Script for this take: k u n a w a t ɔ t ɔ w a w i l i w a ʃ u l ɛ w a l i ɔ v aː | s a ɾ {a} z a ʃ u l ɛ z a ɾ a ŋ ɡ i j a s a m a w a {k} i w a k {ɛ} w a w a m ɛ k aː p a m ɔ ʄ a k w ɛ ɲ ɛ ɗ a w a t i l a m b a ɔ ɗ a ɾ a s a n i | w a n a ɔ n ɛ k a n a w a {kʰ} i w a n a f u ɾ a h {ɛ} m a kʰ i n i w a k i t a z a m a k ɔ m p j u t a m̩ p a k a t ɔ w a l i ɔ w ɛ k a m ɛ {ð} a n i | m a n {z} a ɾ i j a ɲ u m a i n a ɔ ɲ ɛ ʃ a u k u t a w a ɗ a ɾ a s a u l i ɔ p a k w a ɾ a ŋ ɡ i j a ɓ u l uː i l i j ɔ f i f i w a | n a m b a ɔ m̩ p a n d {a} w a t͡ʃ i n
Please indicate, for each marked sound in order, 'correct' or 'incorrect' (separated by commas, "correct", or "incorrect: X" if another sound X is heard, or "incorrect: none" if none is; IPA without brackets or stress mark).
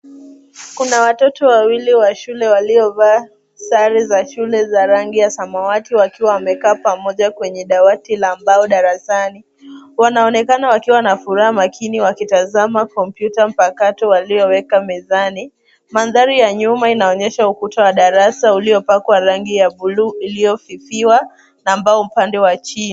incorrect: i, incorrect: t, incorrect: i, incorrect: k, incorrect: a, incorrect: z, incorrect: ð, incorrect: ɛ